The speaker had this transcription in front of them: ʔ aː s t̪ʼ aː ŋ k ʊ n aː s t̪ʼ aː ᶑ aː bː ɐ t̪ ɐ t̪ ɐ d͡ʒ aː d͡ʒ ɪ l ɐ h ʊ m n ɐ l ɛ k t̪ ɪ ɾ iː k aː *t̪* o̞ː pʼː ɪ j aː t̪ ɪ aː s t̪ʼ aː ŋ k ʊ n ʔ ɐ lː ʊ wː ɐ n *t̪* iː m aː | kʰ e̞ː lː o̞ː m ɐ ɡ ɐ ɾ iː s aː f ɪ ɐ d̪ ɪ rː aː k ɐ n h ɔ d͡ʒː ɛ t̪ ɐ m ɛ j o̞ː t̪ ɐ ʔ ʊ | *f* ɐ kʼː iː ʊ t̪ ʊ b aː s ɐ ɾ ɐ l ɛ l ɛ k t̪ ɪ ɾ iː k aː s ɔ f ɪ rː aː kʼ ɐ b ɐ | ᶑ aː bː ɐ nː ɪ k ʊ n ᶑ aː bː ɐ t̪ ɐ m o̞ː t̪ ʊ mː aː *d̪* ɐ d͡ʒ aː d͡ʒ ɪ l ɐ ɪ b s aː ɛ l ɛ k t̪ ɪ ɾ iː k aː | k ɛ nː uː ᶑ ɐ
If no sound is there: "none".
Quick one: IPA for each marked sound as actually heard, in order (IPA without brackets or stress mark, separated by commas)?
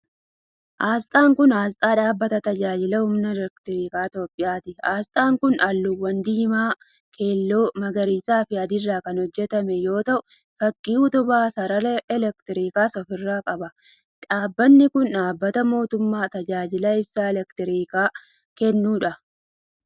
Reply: t̪, d̪, f, t̪